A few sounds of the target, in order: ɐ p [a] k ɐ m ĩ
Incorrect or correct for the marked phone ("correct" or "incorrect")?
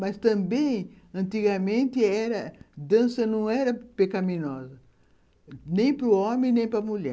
incorrect